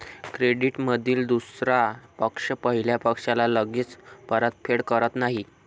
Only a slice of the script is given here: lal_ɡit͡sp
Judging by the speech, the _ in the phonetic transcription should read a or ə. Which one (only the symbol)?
ə